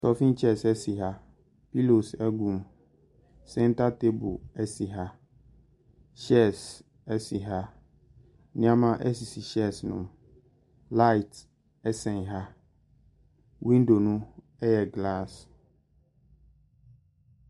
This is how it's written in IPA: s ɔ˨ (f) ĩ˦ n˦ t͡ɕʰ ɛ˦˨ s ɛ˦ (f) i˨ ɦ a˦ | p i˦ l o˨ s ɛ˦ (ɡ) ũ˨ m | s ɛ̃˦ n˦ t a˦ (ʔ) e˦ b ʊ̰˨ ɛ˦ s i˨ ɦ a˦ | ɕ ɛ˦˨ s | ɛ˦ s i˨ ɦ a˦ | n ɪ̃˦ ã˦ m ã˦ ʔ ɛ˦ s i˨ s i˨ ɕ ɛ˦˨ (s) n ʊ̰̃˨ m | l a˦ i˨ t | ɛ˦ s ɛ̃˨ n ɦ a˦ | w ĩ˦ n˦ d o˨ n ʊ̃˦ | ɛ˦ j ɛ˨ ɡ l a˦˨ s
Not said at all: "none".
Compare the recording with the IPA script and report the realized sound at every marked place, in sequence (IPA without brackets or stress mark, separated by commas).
f, s, ɡ, t, s